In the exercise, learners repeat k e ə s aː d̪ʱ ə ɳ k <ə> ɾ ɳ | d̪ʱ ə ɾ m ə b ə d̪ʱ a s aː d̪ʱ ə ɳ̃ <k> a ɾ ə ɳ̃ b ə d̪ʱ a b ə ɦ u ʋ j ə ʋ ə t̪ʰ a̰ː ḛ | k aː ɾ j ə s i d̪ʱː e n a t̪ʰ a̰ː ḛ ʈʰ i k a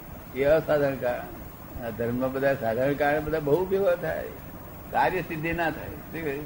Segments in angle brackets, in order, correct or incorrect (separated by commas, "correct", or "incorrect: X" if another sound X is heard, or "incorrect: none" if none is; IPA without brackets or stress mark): incorrect: a, correct